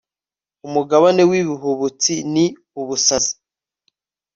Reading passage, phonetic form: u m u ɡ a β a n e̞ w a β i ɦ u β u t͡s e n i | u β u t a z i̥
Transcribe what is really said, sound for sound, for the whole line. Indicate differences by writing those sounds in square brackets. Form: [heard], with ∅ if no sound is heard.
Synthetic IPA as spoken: u m u ɡ a β a n e̞ w [i] β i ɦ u β u t͡s [i] n i | u β u [s] a z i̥